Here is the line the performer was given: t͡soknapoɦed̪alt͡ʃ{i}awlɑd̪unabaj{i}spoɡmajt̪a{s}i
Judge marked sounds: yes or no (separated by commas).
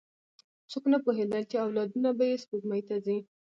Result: no, no, no